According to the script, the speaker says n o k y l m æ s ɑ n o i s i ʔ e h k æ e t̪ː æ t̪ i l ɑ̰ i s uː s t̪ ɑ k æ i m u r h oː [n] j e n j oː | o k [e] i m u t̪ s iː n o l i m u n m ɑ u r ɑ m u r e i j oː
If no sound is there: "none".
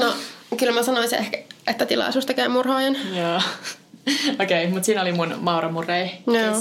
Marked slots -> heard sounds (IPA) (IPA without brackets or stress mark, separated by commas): none, e